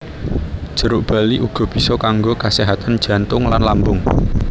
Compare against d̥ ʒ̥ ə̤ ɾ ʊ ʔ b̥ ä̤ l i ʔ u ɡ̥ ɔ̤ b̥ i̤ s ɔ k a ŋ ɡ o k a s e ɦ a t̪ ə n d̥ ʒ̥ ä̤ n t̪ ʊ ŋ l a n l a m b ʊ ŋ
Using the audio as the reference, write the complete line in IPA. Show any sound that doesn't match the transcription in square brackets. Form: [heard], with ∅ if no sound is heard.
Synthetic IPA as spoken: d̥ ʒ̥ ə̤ ɾ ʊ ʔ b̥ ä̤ l i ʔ u ɡ̥ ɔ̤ b̥ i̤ s ɔ k a ŋ ɡ o k a s e ɦ a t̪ [a] n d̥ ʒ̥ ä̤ n t̪ ʊ ŋ l a n l a m b ʊ ŋ